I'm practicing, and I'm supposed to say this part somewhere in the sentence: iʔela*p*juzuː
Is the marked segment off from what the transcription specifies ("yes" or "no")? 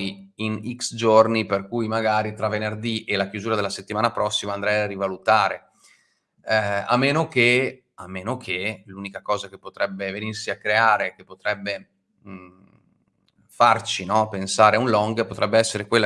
yes